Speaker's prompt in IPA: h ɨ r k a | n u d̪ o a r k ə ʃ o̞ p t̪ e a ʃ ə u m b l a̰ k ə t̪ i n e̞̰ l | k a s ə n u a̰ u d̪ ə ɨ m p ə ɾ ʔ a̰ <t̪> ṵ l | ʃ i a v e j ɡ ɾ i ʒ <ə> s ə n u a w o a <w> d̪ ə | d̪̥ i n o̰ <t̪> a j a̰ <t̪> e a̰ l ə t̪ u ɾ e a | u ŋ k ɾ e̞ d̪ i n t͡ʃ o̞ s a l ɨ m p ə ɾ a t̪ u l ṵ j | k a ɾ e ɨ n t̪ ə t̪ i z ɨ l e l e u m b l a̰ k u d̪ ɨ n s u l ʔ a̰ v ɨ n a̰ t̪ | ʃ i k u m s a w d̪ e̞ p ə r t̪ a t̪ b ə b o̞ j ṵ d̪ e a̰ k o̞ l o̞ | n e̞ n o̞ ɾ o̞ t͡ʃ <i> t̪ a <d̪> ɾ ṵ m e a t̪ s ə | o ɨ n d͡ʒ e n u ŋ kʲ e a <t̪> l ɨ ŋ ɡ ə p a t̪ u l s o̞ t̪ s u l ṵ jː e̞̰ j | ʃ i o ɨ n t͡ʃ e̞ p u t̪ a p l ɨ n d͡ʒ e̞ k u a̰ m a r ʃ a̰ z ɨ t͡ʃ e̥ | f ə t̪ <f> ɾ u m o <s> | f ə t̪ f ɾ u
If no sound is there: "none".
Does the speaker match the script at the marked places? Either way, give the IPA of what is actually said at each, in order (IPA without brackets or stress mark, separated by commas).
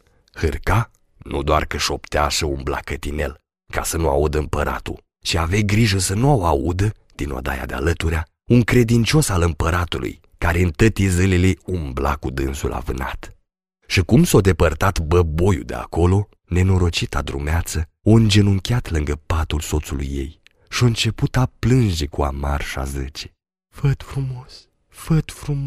t̪, ə, u, d̪, d̪, i, d̪, t̪, f, s